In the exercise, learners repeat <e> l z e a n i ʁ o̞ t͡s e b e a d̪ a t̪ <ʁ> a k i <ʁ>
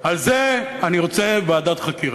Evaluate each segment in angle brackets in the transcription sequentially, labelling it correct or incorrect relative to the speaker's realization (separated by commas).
incorrect, incorrect, correct